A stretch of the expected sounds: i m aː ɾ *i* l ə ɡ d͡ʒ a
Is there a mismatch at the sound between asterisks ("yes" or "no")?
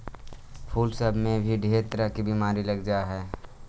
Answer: no